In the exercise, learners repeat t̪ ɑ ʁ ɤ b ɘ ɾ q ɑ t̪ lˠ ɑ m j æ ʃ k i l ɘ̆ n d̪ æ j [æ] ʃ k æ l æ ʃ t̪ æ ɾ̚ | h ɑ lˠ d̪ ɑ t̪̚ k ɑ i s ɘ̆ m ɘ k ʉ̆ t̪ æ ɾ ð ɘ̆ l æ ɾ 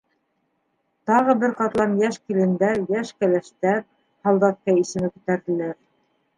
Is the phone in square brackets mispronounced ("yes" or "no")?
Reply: no